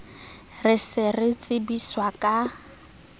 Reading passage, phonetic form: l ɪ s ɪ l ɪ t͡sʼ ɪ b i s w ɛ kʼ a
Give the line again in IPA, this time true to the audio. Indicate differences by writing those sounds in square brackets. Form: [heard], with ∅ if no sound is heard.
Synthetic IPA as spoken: [r] ɪ s ɪ [r] ɪ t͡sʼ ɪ b i s w [a] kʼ a